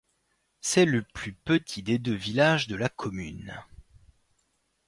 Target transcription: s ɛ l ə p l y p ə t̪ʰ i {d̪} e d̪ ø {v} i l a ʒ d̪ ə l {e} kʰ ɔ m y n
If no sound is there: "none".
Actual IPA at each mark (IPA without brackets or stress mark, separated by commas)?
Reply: d̪, v, a